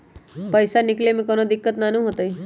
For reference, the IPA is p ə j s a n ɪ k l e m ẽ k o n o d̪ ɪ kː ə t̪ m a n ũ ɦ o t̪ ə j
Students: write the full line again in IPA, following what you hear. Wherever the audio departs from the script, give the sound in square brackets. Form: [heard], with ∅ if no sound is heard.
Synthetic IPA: p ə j s a n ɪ k l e m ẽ k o n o d̪ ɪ kː ə t̪ [n] a n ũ ɦ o t̪ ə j